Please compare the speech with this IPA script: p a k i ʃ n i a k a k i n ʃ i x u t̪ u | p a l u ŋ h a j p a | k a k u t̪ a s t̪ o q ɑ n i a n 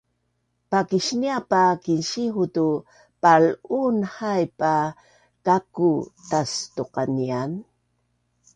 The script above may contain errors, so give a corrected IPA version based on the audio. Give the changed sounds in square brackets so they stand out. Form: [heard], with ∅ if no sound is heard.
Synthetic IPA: p a k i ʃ n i a [p] a k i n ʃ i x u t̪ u | p a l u [n] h a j p a | k a k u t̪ a s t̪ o q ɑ n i a n